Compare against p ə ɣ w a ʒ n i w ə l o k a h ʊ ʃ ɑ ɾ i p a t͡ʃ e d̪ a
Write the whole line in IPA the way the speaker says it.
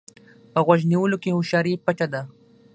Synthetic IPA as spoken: p ə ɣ w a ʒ n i w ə l o k e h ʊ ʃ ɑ ɾ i p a t͡ʃ a d̪ a